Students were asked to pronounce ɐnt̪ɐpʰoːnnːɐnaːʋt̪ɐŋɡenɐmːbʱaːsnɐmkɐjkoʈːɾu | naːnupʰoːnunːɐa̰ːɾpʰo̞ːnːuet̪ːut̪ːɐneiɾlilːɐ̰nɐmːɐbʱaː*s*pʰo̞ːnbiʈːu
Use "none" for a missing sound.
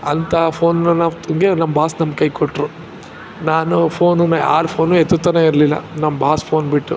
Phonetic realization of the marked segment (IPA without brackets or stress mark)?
s